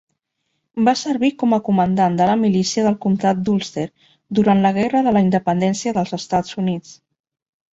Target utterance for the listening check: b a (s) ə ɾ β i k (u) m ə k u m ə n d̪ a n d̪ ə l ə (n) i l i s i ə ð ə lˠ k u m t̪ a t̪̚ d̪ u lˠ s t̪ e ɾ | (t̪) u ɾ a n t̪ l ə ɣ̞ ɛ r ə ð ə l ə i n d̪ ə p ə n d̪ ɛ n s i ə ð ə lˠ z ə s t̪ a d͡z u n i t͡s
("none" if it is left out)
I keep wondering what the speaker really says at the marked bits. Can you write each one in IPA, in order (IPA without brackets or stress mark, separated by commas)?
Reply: s, ɔ, m, d̪